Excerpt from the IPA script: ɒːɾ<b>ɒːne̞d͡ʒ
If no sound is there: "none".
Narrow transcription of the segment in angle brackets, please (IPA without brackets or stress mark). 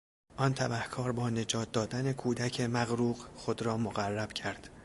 b